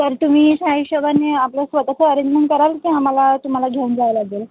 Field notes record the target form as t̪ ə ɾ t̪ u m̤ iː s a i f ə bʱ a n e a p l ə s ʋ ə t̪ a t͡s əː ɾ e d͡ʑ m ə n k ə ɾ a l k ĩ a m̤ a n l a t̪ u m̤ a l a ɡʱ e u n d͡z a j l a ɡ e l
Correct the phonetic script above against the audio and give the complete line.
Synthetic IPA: t̪ ə ɾ t̪ u m̤ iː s a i ɕ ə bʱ a n e a p l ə s ʋ ə t̪ a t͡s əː ɾ e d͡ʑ m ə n k ə ɾ a l k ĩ a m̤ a l a t̪ u m̤ a l a ɡʱ e u n d͡z a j l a ɡ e l

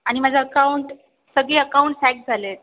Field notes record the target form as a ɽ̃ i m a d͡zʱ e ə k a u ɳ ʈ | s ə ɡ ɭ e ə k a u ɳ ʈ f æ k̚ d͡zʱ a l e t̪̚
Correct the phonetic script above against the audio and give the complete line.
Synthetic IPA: a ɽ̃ i m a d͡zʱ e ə k a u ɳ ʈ | s ə ɡ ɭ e ə k a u ɳ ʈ s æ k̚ d͡zʱ a l e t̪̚

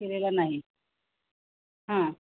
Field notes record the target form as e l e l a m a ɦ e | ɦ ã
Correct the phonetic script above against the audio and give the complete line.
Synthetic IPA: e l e l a n a ɦ i | ɦ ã

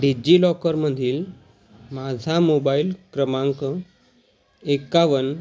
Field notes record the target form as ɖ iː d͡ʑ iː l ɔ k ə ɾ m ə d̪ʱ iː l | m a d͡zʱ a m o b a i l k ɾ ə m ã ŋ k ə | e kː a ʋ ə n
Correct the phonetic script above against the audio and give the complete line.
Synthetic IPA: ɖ i d͡ʑ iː l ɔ k ə ɾ m ə d̪ʱ iː l | m a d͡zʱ a m o b a i l k ɾ ə m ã ŋ k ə | e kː a ʋ ə n

